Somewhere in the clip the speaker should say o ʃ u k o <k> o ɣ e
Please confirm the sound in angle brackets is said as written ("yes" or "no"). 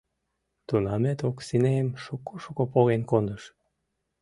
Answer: no